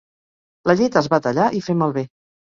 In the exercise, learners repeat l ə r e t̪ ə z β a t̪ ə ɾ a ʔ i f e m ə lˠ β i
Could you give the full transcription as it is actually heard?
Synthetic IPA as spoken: l ə ʎ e t̪ ə z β a t̪ ə ʎ a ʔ i f e m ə lˠ β e

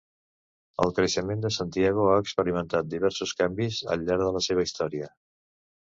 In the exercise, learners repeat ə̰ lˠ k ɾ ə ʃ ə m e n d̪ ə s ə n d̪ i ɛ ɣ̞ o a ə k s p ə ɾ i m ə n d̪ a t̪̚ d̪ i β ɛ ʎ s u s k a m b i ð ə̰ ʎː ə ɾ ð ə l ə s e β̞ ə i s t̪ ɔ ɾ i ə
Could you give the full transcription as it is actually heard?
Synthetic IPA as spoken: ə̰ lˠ k ɾ ə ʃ ə m e n d̪ ə s a n t̪ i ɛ ɣ̞ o a ə k s p ə ɾ i m ə n t̪ a t̪̚ d̪ i β ɛ ɾ s u s k a m b i z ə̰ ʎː a ɾ ð ə l ə s e β̞ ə i s t̪ ɔ ɾ i ə

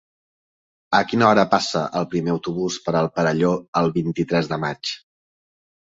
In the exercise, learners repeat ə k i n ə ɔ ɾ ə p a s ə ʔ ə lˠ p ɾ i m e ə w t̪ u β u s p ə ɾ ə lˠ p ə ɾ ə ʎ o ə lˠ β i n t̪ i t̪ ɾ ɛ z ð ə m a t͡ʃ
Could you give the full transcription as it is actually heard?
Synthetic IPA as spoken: ə k i n ə ɔ ɾ ə p a s ə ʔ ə lˠ p ɾ i m e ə w t̪ u β u s p ə ɾ ə lˠ p ə ɾ ə ʎ o ə lˠ β i n t̪ i t̪ ɾ ɛ z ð ə m a t͡ʃ

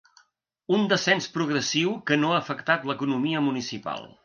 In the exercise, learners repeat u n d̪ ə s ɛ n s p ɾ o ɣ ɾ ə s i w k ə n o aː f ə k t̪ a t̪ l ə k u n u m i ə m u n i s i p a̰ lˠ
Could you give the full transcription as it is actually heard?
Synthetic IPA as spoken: u n d̪ ə s ɛ n s p ɾ u ɣ ɾ ə s i w k ə n o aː f ə k t̪ a t̪ l ə k u n u m i ə m u n i s i p a̰ lˠ

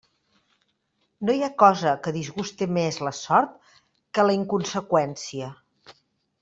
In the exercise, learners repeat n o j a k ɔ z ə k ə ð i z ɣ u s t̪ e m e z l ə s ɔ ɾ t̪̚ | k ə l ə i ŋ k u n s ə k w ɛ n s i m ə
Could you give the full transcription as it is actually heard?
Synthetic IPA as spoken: n o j a k ɔ z ə k ə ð i z ɣ u s t̪ e m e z l ə s ɔ ɾ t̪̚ | k ə l ə i ŋ k u n s ə k w ɛ n s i ə

